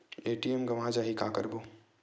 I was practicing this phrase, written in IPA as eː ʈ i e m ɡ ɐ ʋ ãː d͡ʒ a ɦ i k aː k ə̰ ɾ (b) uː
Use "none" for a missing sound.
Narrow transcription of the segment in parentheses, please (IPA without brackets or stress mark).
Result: b